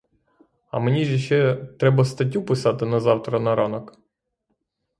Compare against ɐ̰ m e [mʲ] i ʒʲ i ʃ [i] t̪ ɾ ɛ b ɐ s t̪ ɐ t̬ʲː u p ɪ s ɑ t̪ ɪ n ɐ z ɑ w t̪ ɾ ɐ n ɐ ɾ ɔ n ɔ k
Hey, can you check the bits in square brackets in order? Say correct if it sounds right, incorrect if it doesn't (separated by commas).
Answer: incorrect, incorrect